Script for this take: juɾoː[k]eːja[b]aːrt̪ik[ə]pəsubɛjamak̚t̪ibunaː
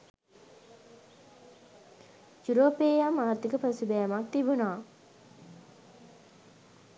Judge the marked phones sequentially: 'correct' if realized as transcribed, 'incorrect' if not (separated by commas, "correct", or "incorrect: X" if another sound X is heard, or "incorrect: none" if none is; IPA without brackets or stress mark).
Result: incorrect: p, incorrect: m, correct